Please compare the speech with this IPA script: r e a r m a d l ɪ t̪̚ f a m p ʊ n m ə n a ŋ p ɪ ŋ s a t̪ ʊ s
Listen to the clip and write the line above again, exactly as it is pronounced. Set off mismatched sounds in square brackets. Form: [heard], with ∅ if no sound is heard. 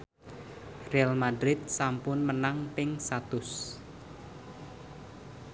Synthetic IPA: r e a [l] m a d [ɾ] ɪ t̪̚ [s] a m p ʊ n m ə n a ŋ p ɪ ŋ s a t̪ ʊ s